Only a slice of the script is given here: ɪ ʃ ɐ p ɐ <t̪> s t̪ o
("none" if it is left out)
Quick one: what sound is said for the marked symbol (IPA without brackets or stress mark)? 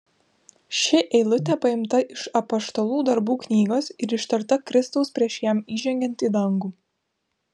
none